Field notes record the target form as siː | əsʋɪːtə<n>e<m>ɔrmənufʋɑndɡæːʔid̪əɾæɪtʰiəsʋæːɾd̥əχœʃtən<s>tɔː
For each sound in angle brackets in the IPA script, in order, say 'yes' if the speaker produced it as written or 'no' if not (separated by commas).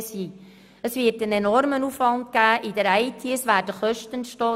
yes, no, no